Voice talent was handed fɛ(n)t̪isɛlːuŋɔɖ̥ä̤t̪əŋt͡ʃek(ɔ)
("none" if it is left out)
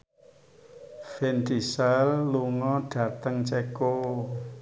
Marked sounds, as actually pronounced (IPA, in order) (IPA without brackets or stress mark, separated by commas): n, o